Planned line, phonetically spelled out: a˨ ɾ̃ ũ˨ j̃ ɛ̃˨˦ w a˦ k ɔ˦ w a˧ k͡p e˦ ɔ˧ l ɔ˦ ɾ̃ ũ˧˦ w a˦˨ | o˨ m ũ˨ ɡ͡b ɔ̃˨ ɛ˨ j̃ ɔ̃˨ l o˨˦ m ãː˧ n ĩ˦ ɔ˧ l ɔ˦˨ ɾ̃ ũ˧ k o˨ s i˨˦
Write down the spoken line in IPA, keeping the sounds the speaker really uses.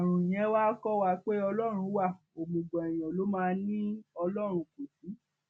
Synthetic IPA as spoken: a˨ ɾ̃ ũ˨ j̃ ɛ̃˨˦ w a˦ k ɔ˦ w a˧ k͡p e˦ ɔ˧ l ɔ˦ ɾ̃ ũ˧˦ w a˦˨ | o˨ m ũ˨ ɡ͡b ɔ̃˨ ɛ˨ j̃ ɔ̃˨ l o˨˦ m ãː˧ n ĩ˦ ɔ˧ l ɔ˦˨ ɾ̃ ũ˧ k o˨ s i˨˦